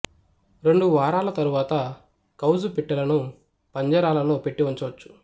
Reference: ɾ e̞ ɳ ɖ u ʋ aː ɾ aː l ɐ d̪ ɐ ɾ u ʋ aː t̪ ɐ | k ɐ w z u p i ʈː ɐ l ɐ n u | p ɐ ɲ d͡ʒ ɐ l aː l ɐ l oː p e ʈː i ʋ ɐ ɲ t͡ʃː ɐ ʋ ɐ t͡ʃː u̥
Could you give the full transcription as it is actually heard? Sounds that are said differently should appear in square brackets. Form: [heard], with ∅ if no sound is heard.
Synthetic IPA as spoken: ɾ e̞ ɳ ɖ u ʋ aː ɾ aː l ɐ [t̪] ɐ ɾ u ʋ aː t̪ ɐ | k ɐ w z u p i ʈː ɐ l ɐ n u | p ɐ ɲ d͡ʒ ɐ [ɾ] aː l ɐ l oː p e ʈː i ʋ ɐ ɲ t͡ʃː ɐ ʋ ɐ t͡ʃː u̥